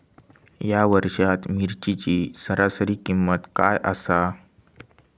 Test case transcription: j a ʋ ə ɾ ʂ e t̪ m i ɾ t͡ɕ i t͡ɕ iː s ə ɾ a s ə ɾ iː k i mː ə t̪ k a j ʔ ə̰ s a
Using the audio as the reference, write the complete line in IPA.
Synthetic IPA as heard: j a ʋ ə ɾ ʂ a t̪ m i ɾ t͡ɕ i t͡ɕ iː s ə ɾ a s ə ɾ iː k i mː ə t̪ k a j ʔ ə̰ s a

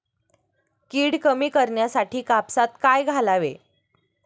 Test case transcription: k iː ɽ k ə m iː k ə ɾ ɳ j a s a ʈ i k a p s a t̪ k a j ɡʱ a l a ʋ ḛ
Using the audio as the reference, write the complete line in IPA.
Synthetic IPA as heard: k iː ɽ k ə m iː k ə ɾ ɳ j a s a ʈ iː k a p s a t̪ k a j ɡʱ a l a ʋ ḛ

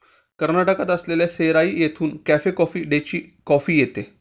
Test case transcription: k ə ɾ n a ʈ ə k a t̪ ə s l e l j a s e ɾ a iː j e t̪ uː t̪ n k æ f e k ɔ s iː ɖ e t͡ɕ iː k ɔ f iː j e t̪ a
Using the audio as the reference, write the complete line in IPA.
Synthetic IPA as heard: k ə ɾ n a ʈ ə k a t̪ ə s l e l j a s e ɾ a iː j e t̪ʰ uː n k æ f e k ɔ f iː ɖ e t͡ɕ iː k ɔ f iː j e t̪ e

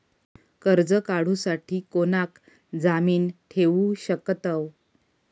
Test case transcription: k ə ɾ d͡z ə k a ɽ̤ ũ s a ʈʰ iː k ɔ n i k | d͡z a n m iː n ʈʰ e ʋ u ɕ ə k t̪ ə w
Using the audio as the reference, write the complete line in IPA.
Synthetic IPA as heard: k ə ɾ d͡z ə k a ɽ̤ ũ s a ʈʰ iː k o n a k | d͡z a m iː n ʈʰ e ʋ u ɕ ə k t̪ ə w

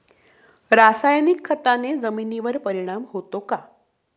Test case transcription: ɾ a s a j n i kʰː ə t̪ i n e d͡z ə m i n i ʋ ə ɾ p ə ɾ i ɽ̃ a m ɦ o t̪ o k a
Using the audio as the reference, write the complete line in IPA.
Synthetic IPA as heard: ɾ a s a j n i kʰː ə t̪ a n e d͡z ə m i n i ʋ ə ɾ p ə ɾ i ɽ̃ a m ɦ o t̪ o k a

